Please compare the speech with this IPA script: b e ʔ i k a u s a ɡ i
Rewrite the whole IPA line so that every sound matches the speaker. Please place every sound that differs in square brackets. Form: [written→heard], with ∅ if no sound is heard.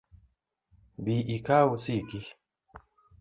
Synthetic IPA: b [e→i] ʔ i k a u s [a→i] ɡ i